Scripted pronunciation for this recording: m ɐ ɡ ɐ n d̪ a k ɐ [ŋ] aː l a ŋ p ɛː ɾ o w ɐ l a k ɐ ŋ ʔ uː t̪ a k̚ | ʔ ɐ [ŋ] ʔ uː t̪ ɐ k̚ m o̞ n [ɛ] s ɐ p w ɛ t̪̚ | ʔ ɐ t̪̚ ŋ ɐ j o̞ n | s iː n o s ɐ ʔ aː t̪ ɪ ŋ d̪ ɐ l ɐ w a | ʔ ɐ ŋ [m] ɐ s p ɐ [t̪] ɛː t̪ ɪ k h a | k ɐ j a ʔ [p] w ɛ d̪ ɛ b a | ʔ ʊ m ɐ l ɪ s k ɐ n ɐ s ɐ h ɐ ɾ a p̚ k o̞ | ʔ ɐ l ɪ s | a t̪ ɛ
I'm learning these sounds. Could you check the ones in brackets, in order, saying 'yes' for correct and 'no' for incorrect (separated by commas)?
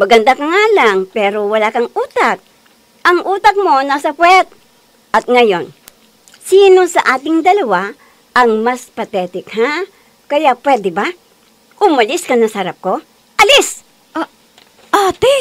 yes, yes, no, yes, yes, yes